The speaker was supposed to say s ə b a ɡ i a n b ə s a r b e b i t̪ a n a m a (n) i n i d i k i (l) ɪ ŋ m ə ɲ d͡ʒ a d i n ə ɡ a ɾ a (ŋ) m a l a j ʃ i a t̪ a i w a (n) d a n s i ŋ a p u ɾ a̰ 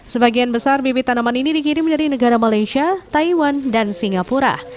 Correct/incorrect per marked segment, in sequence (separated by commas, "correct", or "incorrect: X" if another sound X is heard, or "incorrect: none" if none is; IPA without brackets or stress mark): correct, incorrect: ɾ, incorrect: none, correct